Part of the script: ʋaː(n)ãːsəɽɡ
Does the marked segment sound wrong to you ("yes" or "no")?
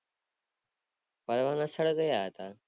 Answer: no